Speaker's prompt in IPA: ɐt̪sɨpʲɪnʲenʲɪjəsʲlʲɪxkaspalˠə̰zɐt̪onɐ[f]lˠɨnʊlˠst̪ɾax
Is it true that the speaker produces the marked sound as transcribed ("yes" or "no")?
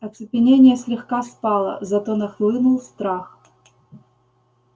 no